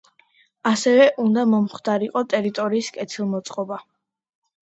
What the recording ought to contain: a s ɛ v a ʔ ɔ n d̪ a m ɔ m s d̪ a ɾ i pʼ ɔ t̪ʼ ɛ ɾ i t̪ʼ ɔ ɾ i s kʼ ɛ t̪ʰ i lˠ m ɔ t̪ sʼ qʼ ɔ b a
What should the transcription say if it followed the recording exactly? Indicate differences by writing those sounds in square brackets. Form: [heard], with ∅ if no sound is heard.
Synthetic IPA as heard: a s ɛ v [ɛ] ʔ [u] n d̪ a m ɔ m [χ] d̪ a ɾ i [qʼ] ɔ t̪ʼ ɛ ɾ i t̪ʼ ɔ ɾ [iː] s kʼ ɛ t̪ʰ i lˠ m ɔ t̪ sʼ qʼ ɔ b a